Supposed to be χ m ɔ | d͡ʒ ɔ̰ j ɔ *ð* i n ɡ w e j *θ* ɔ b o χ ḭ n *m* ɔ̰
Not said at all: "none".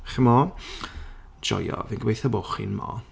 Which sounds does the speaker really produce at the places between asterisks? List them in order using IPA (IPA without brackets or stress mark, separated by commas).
v, θ, m